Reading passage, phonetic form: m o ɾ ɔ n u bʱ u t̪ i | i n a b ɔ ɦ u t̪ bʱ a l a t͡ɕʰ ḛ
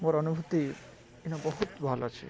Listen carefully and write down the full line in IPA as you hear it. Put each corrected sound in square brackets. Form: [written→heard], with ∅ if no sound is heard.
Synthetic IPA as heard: m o ɾ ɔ n u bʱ u t̪ i | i n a b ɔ ɦ u t̪ bʱ a l a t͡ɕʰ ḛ

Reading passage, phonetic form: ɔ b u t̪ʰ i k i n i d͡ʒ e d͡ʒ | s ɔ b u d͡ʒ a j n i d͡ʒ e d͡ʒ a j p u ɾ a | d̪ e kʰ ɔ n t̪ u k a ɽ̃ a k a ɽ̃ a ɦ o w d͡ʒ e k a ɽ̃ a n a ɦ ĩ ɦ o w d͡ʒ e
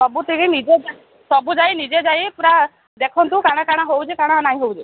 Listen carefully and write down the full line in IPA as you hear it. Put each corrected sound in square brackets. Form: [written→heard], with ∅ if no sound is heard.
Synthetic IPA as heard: ɔ b u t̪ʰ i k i n i d͡ʒ e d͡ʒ | s ɔ b u d͡ʒ a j n i d͡ʒ e d͡ʒ a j p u ɾ a | d̪ e kʰ ɔ n t̪ u k a ɽ̃ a k a ɽ̃ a ɦ o w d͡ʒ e k a ɽ̃ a n a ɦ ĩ ɦ o w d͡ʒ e

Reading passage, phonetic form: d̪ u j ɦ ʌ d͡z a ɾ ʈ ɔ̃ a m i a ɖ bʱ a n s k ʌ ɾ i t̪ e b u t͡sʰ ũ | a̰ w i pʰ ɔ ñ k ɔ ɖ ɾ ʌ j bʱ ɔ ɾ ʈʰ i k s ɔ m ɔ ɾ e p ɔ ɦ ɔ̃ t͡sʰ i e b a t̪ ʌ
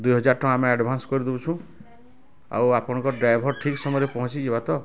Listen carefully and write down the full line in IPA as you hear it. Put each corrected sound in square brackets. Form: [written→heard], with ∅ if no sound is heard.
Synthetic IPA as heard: d̪ u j ɦ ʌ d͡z a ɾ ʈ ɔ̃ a m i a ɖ bʱ a n s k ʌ ɾ i [t̪→d̪] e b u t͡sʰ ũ | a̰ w [i→a] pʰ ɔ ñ k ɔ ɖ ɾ [ʌ→a] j bʱ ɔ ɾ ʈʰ i k s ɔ m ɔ ɾ e p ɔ ɦ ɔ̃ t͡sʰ i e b a t̪ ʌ

